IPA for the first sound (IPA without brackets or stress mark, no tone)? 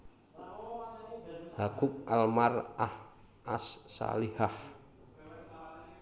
h